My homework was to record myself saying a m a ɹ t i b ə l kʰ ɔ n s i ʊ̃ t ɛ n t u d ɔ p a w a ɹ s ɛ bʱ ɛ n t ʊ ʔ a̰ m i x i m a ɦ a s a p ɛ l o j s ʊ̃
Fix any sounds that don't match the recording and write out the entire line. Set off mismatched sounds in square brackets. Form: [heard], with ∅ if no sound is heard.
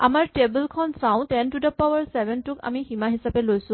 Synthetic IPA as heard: a m a ɹ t [e] b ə l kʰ ɔ n s [a] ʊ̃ t ɛ n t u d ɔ p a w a ɹ s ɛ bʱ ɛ n t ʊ [k] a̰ m i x i m a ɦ [i] s a p ɛ l o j s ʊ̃